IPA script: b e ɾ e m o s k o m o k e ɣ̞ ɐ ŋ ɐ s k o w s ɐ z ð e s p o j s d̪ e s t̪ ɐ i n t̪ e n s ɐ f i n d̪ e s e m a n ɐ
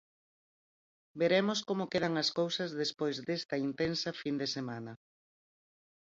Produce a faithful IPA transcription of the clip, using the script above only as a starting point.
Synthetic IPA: b e ɾ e m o s k o m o k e ð̞ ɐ ŋ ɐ s k o w s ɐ z ð e s p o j z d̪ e s t̪ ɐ i n t̪ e n s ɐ f i n d̪ e s e m a n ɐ